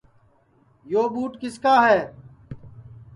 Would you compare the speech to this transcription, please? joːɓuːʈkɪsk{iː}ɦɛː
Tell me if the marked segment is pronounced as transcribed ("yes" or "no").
no